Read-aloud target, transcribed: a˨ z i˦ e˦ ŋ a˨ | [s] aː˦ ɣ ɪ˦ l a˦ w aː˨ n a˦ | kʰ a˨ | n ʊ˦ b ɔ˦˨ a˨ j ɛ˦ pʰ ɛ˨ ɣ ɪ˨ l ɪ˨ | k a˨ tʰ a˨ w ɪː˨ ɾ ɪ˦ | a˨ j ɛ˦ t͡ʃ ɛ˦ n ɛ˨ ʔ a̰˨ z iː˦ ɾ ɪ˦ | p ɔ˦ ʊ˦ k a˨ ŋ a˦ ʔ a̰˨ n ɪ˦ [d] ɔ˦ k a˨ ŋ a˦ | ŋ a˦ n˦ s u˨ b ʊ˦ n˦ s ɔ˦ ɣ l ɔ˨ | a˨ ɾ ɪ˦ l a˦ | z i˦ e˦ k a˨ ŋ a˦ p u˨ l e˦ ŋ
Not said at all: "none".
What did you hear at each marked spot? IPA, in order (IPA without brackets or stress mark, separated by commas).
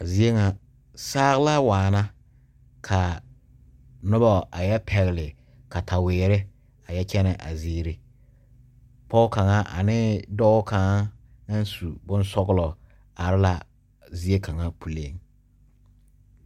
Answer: s, d